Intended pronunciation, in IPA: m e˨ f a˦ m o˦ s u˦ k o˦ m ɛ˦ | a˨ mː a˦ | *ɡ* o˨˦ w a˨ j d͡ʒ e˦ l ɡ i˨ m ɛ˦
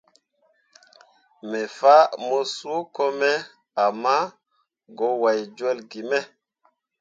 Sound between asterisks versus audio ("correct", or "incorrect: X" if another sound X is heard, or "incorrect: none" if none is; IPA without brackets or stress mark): correct